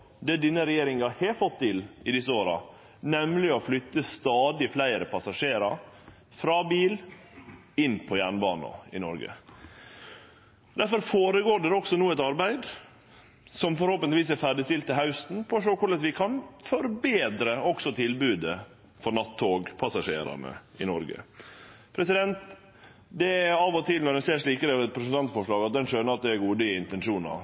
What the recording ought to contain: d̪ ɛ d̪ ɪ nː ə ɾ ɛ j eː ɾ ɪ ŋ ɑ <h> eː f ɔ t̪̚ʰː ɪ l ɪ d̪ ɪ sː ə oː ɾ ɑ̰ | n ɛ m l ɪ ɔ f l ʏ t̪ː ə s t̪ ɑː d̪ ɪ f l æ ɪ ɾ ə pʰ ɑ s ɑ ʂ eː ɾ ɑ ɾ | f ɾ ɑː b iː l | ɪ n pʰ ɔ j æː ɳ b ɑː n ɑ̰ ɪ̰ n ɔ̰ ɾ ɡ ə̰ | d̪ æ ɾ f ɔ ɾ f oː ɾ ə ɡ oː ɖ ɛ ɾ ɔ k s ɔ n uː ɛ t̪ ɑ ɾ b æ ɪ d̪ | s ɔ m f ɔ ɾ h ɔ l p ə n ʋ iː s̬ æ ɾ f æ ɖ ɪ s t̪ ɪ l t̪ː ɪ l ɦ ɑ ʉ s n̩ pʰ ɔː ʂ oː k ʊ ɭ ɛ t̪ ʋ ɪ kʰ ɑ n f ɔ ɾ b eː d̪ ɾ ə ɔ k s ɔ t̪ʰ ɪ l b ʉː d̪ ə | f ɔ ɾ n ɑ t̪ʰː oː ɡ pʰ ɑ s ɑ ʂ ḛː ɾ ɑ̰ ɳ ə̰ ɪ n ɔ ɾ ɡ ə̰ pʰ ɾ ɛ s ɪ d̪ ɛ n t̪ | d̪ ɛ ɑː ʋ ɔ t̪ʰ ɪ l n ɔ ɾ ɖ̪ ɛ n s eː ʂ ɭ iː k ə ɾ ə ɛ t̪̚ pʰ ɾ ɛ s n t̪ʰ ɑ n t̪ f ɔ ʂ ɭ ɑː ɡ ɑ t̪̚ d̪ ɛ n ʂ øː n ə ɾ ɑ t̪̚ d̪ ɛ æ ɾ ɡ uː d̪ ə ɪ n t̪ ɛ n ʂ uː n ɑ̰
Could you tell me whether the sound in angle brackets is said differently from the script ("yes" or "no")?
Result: no